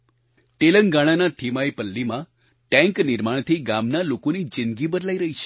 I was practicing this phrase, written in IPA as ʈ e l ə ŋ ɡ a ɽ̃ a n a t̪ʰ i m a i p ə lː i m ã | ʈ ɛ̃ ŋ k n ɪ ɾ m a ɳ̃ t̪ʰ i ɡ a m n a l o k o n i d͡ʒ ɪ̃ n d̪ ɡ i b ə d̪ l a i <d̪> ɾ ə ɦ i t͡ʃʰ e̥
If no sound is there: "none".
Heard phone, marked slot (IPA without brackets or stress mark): none